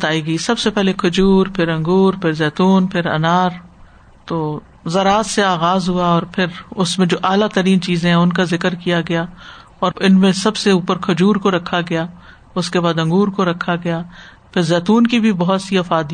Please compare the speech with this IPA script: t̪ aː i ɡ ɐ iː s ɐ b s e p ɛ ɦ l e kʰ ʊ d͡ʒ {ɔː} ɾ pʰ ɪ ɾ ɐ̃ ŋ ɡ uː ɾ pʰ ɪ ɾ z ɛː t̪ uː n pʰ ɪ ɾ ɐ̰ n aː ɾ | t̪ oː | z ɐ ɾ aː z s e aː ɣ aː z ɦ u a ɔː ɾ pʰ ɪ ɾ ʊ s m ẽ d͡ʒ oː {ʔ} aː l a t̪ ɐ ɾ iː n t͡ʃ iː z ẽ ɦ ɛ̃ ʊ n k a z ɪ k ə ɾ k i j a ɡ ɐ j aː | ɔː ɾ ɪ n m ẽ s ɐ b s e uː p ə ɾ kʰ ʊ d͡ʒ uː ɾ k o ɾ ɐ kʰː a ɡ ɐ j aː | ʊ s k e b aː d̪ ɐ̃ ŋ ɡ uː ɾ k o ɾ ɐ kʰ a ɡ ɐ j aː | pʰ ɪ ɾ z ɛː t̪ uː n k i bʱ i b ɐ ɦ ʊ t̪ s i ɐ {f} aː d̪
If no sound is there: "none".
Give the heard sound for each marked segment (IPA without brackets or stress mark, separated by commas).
uː, ʔ, f